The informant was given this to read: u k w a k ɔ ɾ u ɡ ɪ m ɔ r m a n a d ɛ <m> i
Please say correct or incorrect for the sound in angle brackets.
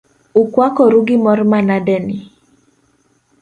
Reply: incorrect